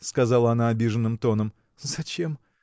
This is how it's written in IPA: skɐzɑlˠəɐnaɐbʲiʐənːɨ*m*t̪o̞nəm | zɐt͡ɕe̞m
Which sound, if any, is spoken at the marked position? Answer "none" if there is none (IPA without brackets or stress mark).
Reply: m